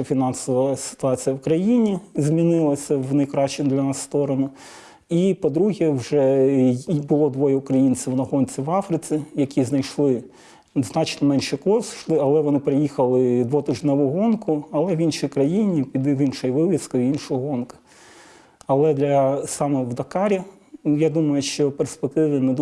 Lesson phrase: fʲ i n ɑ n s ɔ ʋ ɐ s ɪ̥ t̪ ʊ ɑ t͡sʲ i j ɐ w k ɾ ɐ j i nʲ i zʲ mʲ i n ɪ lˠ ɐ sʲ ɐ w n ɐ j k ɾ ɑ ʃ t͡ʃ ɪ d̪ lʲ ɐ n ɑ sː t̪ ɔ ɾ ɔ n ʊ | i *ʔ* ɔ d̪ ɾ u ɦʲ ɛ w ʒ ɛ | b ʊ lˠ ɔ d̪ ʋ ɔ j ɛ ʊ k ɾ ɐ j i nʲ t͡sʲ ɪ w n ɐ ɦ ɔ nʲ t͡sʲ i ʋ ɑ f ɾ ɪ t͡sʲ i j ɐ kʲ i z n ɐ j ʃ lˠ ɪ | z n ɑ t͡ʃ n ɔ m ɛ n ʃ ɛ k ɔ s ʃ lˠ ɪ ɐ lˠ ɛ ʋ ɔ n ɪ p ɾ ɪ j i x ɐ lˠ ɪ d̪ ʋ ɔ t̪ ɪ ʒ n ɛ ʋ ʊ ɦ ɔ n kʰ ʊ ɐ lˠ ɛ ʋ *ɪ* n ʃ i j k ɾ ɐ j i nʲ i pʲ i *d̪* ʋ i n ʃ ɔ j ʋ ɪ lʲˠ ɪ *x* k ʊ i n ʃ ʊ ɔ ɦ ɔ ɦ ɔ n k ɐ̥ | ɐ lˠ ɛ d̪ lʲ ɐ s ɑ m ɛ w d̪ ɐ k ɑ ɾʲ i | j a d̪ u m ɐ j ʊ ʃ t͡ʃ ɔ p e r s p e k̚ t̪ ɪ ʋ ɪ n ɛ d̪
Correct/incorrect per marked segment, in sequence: incorrect: p, incorrect: i, correct, incorrect: s

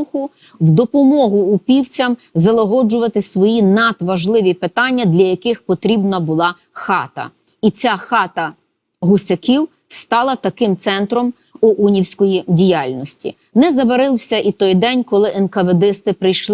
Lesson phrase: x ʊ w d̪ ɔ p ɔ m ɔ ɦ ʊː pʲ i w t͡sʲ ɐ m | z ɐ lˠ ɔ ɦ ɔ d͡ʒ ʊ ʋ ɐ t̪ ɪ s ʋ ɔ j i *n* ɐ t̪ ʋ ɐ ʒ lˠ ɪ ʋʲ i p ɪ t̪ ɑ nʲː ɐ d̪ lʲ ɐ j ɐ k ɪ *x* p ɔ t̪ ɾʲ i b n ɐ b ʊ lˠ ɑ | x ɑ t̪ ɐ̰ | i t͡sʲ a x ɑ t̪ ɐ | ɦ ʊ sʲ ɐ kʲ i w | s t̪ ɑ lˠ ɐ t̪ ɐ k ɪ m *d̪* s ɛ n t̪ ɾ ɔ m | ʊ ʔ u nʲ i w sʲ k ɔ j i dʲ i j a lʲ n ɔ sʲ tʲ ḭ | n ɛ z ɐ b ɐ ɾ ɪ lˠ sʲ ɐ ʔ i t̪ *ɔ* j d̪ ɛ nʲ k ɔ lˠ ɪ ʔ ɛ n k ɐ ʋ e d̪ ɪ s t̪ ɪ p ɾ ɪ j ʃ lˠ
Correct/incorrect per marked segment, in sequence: correct, correct, incorrect: t̪, correct

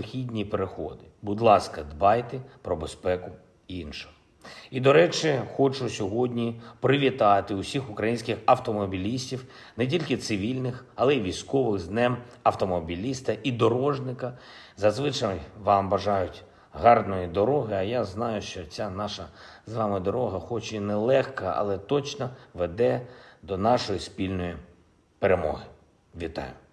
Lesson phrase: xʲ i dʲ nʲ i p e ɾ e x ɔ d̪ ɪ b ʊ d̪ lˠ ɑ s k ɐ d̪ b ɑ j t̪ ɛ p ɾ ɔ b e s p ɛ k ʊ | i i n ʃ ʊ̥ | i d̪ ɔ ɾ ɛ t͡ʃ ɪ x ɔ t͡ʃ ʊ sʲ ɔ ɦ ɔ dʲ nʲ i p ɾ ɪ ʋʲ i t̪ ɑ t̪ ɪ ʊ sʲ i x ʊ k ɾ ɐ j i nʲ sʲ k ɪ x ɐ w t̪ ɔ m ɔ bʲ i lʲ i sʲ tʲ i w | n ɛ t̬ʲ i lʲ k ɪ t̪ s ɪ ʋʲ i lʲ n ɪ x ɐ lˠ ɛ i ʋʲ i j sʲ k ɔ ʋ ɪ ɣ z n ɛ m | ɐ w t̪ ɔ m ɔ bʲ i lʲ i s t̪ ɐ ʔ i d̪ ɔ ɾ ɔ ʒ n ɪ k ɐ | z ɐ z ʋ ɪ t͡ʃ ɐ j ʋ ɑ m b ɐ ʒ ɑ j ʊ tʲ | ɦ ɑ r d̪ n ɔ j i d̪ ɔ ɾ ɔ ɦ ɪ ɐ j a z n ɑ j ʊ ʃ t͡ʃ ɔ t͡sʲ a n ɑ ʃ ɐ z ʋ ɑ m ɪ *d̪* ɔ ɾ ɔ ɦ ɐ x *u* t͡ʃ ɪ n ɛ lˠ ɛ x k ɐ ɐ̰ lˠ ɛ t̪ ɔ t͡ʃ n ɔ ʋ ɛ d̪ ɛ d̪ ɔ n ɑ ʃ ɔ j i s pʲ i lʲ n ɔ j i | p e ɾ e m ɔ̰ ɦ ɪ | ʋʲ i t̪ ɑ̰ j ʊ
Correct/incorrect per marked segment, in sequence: correct, incorrect: ɔ

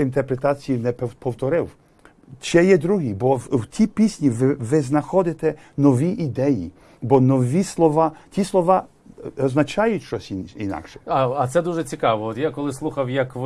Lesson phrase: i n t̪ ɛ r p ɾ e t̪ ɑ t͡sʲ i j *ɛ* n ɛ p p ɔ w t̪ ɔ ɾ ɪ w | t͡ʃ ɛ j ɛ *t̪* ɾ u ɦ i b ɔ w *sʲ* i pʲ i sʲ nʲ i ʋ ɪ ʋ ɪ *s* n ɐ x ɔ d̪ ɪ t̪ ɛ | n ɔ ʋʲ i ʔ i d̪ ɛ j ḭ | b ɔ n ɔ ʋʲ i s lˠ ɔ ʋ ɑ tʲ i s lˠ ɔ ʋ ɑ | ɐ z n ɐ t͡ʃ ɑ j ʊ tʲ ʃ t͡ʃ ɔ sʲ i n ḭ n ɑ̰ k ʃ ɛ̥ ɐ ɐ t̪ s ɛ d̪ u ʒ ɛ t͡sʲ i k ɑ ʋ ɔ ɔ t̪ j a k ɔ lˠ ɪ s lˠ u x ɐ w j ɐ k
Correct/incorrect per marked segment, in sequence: incorrect: i, incorrect: d̪, incorrect: tʲ, incorrect: z

